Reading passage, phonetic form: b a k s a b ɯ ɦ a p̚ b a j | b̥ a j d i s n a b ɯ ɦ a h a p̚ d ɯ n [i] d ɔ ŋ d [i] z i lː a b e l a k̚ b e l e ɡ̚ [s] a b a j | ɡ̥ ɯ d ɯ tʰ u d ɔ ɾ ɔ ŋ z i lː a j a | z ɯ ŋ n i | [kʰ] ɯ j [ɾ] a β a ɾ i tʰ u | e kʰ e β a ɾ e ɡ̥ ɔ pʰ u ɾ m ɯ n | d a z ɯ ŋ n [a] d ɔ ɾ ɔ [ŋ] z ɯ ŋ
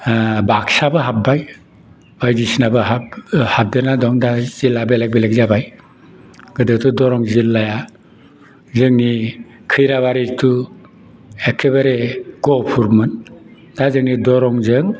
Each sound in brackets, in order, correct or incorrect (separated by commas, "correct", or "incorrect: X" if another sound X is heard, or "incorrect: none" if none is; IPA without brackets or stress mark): incorrect: a, incorrect: a, incorrect: z, correct, correct, incorrect: i, correct